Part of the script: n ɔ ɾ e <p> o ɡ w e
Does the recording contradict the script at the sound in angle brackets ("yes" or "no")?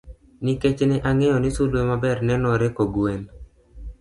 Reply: yes